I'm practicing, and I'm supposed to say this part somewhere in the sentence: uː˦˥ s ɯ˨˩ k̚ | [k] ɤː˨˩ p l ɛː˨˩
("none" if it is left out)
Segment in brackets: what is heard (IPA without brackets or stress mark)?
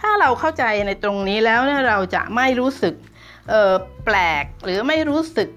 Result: ʔ